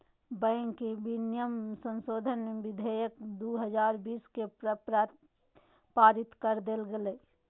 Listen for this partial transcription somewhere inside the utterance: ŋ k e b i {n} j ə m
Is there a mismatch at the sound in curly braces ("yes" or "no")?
no